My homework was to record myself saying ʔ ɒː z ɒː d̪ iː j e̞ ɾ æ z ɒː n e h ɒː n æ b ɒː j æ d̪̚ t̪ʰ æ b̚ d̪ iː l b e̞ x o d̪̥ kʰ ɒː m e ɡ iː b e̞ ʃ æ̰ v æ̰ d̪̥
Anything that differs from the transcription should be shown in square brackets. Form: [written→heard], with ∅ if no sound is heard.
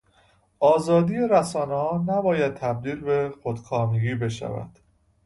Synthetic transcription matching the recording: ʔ ɒː z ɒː d̪ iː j e̞ ɾ æ [z→s] ɒː n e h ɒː n æ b ɒː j æ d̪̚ t̪ʰ æ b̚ d̪ iː l b e̞ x o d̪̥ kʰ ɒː m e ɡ iː b e̞ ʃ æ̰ v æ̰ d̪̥